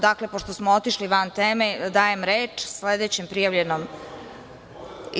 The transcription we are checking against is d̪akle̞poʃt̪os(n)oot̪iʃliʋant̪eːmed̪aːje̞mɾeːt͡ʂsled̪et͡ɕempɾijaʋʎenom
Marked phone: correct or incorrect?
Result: incorrect